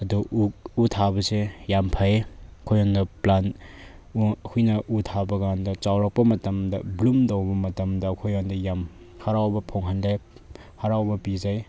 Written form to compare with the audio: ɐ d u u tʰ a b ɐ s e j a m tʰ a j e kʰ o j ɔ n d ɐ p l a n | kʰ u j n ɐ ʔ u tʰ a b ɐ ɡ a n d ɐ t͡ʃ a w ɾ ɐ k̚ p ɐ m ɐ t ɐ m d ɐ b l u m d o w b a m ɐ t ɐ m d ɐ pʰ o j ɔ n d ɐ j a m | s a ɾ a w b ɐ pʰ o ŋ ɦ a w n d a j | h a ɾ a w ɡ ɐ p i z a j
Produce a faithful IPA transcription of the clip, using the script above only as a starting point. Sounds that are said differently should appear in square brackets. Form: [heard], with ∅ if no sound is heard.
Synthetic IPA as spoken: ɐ d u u tʰ a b ɐ s e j a m [pʰ] a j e kʰ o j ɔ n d ɐ p l a n | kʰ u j n ɐ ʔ u tʰ a b ɐ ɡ a n d ɐ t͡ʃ a w ɾ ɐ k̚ p ɐ m ɐ t ɐ m d ɐ b l u m d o w b [ɐ] m ɐ t ɐ m d ɐ [kʰ] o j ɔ n d ɐ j a m | [h] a ɾ a w b ɐ pʰ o ŋ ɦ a [∅] n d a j | h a ɾ a w [b] ɐ p i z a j